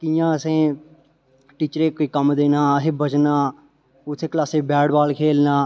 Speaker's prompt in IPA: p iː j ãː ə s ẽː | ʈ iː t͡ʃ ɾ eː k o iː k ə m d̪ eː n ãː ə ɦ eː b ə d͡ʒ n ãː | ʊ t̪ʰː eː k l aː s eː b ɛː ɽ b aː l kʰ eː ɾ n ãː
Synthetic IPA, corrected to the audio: k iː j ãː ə s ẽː | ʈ iː t͡ʃ ɾ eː k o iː k ə m d̪ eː n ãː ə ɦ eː b ə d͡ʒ n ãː | ʊ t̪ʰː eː k l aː s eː b ɛː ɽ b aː l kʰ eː l n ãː